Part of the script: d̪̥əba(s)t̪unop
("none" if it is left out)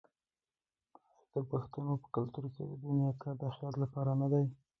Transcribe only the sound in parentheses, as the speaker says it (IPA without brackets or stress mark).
x